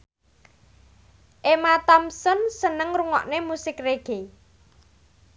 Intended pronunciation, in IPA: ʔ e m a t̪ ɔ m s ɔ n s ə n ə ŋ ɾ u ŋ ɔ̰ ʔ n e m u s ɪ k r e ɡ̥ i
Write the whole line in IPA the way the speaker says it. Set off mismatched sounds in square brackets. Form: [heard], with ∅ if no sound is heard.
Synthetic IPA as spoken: ʔ e m a t̪ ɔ m s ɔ n s ə n ə ŋ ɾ u ŋ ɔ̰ ʔ n e m u s ɪ k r e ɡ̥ [e]